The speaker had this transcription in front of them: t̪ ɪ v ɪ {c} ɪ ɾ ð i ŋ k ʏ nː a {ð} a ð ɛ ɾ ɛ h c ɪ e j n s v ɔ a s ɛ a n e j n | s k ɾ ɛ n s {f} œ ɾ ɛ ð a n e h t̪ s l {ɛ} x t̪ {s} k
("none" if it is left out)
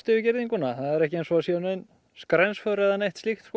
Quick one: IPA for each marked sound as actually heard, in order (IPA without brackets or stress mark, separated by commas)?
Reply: c, θ, f, i, s